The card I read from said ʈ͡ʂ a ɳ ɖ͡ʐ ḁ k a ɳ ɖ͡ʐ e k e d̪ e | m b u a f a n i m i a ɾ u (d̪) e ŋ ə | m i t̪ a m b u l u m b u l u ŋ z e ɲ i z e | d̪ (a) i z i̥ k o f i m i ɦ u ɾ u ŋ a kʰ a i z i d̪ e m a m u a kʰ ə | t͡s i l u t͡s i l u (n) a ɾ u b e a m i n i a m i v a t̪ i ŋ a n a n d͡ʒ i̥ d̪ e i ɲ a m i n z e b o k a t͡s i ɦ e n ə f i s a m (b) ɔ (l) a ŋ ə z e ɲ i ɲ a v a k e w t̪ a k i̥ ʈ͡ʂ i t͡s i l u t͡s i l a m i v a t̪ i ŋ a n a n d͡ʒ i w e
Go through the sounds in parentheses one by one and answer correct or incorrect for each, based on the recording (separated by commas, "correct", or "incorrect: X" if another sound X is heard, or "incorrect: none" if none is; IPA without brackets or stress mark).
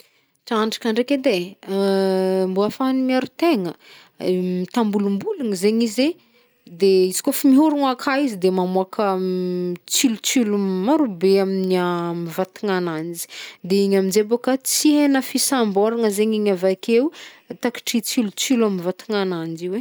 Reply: incorrect: t̪, incorrect: e, incorrect: m, correct, incorrect: ɾ